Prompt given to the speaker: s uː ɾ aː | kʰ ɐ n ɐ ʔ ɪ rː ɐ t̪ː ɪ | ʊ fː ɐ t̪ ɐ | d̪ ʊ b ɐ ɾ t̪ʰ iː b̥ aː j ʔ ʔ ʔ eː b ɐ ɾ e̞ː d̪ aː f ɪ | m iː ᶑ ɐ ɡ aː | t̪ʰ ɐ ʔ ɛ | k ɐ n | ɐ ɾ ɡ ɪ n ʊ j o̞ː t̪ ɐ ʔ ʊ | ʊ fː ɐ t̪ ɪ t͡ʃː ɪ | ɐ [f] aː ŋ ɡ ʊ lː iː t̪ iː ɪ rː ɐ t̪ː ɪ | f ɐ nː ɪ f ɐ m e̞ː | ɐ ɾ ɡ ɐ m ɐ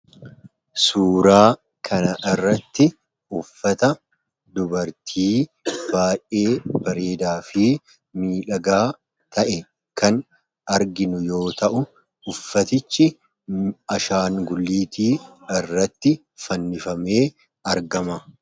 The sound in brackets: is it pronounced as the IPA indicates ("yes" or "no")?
no